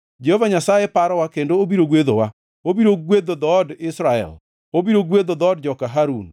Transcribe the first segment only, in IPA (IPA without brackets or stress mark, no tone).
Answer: d͡ʒ